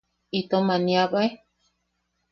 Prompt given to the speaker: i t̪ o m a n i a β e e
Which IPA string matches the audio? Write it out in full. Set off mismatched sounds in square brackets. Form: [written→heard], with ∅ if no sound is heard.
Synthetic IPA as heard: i t̪ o m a n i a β [e→a] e